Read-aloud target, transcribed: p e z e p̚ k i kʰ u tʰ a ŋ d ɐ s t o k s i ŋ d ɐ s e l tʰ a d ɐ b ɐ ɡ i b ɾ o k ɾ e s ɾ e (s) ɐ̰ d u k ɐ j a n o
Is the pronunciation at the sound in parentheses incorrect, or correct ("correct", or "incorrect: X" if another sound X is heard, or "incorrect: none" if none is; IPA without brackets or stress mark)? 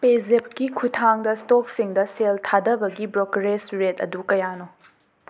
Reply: incorrect: t